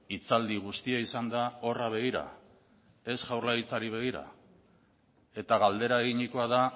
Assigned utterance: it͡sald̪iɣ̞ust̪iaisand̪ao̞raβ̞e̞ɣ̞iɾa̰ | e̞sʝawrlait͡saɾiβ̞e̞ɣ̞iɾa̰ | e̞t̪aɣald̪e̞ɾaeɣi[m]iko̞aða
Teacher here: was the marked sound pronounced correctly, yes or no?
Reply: no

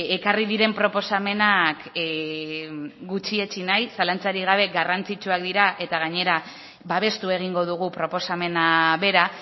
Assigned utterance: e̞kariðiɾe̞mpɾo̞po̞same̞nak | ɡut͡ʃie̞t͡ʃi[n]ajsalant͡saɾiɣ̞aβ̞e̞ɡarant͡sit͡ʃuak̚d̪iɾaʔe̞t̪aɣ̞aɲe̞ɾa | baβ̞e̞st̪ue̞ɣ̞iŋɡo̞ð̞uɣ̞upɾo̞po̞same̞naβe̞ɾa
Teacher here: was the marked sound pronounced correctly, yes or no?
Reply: yes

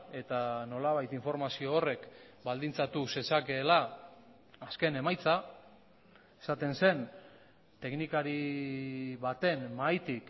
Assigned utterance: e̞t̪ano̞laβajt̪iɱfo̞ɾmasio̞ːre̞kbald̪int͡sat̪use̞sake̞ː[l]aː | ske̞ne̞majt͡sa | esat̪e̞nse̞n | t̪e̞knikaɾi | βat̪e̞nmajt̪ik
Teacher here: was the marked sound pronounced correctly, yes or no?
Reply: yes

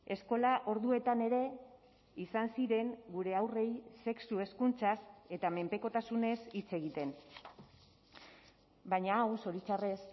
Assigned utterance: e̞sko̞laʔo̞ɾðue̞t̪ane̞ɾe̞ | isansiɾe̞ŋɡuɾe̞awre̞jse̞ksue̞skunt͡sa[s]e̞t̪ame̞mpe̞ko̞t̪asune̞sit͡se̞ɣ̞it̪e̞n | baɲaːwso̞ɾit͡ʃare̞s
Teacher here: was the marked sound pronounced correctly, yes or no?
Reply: yes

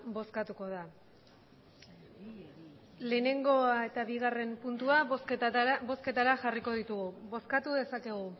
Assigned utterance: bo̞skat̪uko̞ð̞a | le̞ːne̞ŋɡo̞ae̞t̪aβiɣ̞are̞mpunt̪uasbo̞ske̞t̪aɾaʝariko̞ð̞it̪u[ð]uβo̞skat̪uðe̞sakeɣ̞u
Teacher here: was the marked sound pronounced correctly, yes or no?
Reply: no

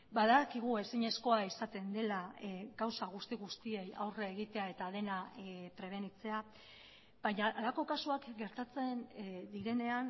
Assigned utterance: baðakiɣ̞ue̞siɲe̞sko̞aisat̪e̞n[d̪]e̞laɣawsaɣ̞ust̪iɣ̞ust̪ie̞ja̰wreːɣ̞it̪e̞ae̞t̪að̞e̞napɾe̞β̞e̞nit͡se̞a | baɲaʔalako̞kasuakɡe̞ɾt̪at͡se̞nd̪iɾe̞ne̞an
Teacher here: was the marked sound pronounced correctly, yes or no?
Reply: yes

